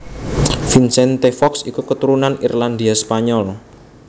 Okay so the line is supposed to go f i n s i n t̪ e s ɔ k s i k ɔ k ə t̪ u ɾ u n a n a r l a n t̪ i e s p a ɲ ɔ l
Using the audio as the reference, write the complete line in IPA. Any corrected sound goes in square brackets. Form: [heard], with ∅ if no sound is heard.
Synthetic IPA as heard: f i n s [ɛ] n t̪ e [f] ɔ k s i k [u] k ə t̪ u ɾ u n a n [i] r l a n [d̪] i [a] s p a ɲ ɔ l